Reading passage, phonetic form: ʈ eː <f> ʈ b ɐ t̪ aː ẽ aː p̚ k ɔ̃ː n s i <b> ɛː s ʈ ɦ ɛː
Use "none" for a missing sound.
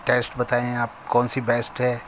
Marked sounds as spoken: s, b

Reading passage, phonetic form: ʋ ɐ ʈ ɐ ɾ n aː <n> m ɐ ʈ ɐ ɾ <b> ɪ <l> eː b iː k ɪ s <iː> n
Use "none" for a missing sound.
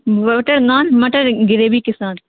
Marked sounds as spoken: n, ɡ, ɾ, aː

